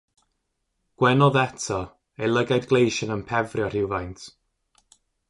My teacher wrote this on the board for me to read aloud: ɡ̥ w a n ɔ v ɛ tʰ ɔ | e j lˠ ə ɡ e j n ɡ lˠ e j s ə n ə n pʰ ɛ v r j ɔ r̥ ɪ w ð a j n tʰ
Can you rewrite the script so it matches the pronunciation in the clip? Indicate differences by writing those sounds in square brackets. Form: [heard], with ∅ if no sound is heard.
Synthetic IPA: ɡ̥ w [ɛ] n ɔ [ð] ɛ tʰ ɔ | e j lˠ ə ɡ [a] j [d] ɡ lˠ e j [ʃ] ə n ə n pʰ ɛ v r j ɔ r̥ ɪ w [v] a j n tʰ